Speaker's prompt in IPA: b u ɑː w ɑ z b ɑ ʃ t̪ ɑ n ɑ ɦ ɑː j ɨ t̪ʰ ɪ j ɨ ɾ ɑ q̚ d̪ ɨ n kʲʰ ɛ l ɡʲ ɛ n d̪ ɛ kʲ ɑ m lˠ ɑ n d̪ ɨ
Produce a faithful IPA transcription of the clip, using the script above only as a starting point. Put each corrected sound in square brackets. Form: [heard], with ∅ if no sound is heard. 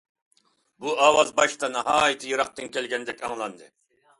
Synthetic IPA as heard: b u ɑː w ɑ z b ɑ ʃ t̪ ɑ n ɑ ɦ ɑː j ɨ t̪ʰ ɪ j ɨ ɾ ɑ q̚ [t̪] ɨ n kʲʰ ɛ l ɡʲ ɛ n d̪ ɛ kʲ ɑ [ŋ] lˠ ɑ n d̪ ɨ